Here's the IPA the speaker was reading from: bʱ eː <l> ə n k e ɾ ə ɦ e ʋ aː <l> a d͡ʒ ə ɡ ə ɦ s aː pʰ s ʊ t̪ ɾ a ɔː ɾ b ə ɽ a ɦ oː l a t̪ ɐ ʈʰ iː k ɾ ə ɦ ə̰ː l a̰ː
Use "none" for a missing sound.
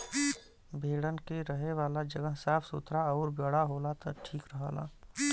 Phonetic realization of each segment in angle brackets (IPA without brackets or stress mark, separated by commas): ɽ, l